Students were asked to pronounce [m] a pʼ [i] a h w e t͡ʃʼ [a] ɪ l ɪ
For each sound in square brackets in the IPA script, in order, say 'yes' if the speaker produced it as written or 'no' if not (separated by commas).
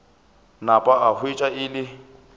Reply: no, no, yes